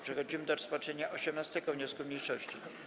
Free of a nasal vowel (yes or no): yes